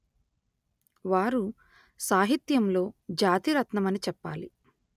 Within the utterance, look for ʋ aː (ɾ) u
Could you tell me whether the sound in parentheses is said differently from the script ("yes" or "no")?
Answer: no